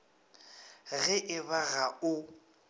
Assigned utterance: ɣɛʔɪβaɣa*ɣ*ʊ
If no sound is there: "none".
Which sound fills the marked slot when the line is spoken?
none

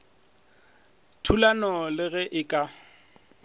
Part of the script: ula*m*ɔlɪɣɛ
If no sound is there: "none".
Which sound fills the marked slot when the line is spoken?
n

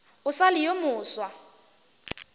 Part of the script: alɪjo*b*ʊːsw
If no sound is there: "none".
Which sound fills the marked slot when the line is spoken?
m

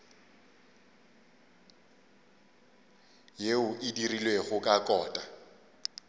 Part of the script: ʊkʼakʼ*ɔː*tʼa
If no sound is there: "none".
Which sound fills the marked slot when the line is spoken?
ɔː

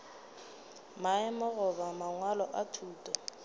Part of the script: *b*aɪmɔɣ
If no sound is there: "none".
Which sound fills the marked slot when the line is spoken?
m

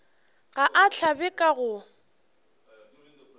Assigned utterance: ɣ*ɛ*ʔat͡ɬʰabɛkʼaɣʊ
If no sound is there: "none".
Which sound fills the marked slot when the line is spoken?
a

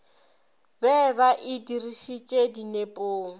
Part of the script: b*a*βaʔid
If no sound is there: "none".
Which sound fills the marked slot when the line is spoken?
ɛ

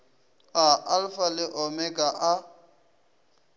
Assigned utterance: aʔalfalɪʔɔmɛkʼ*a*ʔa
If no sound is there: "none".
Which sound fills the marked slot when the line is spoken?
a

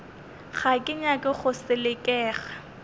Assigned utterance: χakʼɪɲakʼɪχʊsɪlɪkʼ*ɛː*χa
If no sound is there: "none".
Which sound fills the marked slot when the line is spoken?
ɛː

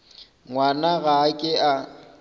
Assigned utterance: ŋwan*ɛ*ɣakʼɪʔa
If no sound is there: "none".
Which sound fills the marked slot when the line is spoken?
a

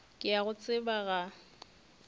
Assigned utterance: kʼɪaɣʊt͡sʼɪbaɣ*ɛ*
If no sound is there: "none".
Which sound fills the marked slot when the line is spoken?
a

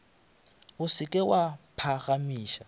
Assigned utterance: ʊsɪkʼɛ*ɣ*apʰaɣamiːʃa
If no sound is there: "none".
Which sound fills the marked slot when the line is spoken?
w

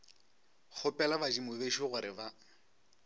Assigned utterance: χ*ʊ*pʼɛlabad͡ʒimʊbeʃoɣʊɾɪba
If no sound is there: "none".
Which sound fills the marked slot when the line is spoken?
ʊ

